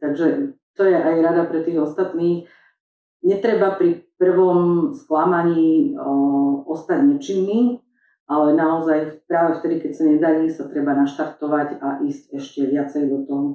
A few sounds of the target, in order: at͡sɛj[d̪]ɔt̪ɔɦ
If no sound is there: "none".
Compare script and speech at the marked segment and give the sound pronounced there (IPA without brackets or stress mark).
d̪